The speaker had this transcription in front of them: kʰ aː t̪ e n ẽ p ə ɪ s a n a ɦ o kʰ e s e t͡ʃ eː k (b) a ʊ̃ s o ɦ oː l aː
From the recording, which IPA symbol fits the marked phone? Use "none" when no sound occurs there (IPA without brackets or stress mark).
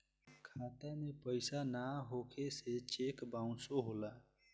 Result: b